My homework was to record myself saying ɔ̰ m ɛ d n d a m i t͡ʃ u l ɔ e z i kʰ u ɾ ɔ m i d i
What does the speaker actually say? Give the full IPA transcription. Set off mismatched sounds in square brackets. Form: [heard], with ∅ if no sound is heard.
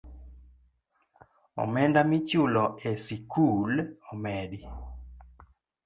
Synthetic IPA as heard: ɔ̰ m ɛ [∅] n d a m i t͡ʃ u l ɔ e [s] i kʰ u [l] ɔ m [ɛ] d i